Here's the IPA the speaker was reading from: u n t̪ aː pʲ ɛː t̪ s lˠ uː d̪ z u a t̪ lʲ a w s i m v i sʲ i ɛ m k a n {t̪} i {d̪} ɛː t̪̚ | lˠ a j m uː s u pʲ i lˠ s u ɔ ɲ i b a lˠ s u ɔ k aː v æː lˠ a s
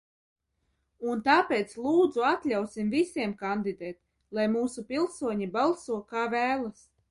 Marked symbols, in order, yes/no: no, yes

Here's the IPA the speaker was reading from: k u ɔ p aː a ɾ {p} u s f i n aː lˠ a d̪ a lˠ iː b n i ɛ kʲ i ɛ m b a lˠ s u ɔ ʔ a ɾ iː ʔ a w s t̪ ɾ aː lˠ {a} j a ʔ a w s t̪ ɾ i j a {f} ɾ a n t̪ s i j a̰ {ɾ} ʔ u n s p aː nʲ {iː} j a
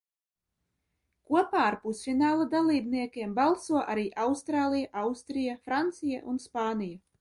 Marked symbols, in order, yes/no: yes, no, yes, no, no

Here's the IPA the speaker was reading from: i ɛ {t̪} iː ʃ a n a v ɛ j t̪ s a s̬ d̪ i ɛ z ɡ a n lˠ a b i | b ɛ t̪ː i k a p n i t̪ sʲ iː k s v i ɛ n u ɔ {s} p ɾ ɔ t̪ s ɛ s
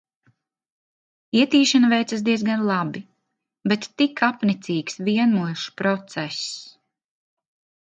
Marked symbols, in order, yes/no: yes, no

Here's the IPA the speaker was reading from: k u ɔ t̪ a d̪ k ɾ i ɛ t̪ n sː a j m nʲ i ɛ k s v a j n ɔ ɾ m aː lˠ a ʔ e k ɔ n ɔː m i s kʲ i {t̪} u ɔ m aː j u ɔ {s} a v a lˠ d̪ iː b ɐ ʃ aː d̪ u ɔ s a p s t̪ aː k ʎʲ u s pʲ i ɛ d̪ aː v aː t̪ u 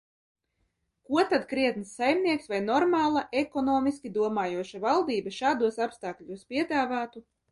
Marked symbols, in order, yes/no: no, no

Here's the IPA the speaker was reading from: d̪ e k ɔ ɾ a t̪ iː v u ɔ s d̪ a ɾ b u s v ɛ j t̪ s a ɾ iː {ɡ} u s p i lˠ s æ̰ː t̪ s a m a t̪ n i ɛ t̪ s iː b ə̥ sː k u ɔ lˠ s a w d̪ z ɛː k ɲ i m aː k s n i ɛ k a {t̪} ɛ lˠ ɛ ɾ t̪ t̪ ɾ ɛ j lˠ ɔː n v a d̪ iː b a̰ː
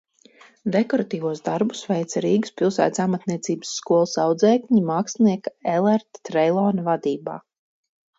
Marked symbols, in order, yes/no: yes, no

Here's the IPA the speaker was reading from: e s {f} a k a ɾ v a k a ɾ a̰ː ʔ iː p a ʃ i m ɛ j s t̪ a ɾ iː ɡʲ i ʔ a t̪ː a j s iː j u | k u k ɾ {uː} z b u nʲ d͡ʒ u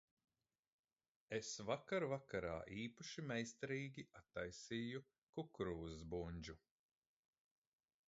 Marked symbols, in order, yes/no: no, yes

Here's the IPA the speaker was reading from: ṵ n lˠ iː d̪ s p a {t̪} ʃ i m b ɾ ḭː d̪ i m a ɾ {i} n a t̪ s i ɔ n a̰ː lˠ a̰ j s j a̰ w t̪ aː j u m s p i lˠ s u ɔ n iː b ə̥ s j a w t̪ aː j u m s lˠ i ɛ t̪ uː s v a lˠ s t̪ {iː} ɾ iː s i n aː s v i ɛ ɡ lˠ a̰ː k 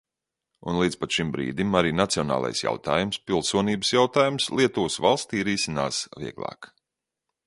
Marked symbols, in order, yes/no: yes, no, yes

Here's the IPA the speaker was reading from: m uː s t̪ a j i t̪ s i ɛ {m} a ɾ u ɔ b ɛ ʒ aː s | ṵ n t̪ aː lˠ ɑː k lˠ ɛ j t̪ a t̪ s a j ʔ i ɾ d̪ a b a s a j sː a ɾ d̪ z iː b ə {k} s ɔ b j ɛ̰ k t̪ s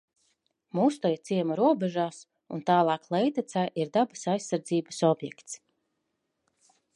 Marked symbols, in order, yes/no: yes, no

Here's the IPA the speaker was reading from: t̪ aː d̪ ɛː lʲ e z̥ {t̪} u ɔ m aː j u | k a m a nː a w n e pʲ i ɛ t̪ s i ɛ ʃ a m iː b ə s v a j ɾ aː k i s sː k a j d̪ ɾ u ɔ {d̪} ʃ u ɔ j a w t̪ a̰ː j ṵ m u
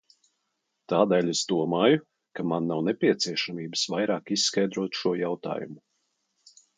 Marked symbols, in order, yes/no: no, no

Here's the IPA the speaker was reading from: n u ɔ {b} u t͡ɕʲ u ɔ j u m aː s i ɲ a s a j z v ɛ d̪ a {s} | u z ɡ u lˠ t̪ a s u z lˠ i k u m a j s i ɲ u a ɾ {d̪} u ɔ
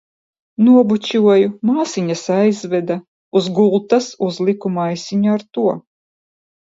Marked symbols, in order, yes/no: yes, no, no

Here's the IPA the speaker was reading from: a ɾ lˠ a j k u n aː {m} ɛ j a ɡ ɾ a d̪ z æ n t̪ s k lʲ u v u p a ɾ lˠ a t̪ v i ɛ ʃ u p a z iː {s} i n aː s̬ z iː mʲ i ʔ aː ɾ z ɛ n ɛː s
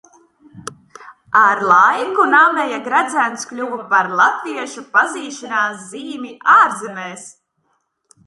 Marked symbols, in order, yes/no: yes, no

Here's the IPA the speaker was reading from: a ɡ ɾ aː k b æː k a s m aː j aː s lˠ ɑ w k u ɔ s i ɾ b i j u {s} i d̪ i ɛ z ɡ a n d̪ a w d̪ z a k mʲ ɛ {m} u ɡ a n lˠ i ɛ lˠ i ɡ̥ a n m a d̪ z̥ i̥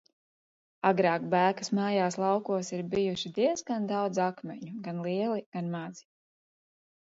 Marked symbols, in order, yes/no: no, no

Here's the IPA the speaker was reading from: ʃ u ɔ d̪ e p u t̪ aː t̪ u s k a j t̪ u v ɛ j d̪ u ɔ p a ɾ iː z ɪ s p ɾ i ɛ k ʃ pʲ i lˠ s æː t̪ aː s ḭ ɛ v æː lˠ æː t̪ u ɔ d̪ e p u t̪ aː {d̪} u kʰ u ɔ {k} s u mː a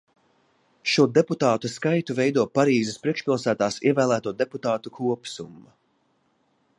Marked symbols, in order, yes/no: no, no

